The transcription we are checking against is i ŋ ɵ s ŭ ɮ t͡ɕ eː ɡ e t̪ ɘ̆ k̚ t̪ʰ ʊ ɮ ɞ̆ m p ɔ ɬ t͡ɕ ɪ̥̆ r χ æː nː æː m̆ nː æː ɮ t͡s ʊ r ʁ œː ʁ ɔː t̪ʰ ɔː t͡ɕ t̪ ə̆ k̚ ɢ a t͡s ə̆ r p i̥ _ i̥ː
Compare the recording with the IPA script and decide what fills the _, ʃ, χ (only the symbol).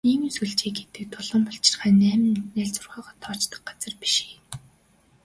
ʃ